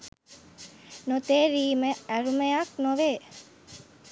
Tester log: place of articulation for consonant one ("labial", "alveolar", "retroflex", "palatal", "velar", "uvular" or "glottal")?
alveolar